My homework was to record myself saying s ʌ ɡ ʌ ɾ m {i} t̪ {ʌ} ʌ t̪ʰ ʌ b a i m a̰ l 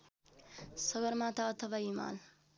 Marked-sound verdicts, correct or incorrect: incorrect, incorrect

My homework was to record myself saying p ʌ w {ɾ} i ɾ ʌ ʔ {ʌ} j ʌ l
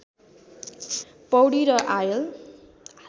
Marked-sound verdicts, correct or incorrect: incorrect, incorrect

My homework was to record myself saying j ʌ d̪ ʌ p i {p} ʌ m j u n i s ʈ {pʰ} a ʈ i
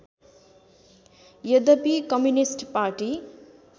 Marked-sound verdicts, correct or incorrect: incorrect, incorrect

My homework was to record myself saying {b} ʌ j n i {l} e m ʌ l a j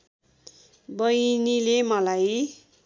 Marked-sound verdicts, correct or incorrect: correct, correct

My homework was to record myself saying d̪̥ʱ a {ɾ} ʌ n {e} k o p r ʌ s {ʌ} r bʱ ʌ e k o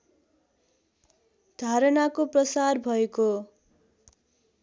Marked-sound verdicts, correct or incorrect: correct, incorrect, incorrect

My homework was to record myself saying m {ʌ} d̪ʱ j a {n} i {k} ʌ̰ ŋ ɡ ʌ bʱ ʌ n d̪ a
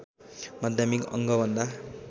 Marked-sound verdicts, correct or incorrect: incorrect, incorrect, correct

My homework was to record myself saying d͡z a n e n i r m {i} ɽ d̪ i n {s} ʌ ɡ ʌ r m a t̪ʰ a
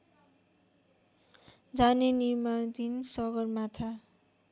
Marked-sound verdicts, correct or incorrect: incorrect, correct

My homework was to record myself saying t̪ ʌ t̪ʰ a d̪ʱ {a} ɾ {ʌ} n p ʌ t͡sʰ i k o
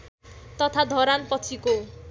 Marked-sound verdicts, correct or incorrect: incorrect, incorrect

